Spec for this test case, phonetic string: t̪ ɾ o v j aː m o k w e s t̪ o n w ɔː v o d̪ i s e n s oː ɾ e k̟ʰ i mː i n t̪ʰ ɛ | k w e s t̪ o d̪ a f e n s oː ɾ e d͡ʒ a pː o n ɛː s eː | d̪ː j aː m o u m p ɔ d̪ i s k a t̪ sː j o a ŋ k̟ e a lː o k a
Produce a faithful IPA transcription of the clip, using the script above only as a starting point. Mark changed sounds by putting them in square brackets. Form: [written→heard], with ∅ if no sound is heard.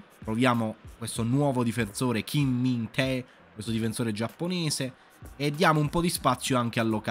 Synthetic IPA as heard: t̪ ɾ o v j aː m o k w e s t̪ o n w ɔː v o d̪ i [s→f] e n s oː ɾ e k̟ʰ i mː i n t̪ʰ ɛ | k w e s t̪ o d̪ [a→i] f e n s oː ɾ e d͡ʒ a pː o n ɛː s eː | d̪ː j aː m o u m p ɔ d̪ i s [k→p] a t̪ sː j o a ŋ k̟ e a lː o k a